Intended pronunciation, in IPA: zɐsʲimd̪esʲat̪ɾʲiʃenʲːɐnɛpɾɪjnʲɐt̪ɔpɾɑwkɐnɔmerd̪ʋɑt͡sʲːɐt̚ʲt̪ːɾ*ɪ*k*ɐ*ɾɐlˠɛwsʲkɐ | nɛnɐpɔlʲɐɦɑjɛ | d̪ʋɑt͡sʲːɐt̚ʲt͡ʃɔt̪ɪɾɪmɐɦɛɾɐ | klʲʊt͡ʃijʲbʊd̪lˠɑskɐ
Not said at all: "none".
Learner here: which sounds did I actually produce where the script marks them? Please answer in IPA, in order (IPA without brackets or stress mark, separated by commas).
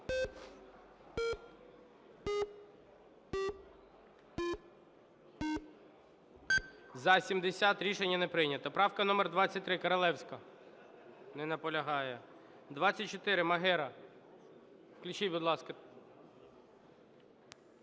ɪ, ɐ